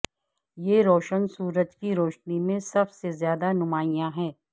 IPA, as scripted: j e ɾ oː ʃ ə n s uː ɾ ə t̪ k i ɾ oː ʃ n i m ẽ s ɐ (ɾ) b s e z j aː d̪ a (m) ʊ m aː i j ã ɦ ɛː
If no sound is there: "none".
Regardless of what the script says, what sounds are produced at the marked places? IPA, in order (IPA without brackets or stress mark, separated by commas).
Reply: none, n